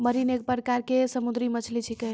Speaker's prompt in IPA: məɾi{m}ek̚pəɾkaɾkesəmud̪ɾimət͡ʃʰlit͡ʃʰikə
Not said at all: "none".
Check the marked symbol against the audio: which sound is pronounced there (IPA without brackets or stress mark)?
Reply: n